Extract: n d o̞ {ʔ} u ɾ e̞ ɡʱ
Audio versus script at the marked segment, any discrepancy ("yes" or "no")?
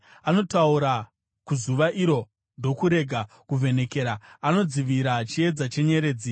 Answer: yes